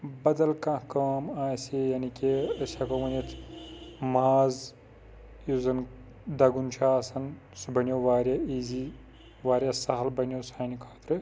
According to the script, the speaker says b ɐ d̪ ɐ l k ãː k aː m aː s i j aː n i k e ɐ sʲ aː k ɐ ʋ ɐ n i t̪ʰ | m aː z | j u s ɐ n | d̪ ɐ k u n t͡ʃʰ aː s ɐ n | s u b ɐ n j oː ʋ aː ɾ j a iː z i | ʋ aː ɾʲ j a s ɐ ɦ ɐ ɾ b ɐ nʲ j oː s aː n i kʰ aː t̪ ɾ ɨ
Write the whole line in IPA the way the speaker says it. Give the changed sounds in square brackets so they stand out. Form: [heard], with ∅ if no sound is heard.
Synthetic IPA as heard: b ɐ d̪ ɐ l k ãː k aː m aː s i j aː n i k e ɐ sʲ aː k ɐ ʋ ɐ n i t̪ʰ | m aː z | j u [z] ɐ n | d̪ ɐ [ɡ] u n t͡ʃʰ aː s ɐ n | s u b ɐ n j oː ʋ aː ɾ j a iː z i | ʋ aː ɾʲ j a s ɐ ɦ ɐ [l] b ɐ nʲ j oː s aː n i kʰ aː t̪ ɾ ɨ